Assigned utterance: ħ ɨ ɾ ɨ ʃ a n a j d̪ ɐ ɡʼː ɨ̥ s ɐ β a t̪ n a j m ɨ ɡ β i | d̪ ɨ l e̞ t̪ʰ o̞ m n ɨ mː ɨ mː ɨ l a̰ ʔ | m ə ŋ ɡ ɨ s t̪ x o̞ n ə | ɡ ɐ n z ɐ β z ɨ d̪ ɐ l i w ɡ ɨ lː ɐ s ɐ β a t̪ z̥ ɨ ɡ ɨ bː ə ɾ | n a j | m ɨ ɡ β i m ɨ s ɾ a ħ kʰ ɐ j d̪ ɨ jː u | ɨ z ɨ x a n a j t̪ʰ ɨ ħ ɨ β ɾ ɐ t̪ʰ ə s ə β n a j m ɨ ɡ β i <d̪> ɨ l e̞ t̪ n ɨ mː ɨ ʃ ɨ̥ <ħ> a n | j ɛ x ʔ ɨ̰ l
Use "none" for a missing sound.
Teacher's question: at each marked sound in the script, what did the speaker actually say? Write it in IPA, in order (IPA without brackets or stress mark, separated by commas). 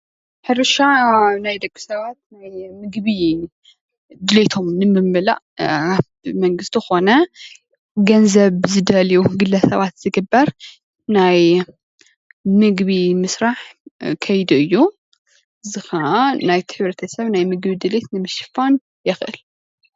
d̪, f